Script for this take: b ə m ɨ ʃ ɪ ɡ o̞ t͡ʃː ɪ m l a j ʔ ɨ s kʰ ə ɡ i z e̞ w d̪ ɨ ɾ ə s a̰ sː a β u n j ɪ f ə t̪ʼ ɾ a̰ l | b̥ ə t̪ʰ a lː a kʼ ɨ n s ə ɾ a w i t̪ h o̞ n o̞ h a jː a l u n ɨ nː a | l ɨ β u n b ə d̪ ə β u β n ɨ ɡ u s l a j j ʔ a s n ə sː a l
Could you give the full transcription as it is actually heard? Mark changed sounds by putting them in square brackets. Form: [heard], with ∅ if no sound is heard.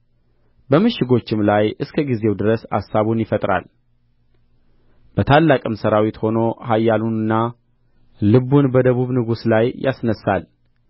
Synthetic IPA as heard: b ə m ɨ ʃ ɪ ɡ o̞ t͡ʃː ɪ m l a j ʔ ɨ s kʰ ə ɡ i z e̞ w d̪ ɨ ɾ ə s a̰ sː a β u n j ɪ f ə t̪ʼ ɾ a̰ l | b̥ ə t̪ʰ a lː a kʼ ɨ [m] s ə ɾ a w i t̪ h o̞ n o̞ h a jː a l u n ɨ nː a | l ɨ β u n b ə d̪ ə β u β n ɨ ɡ u s l a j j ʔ a s n ə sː a l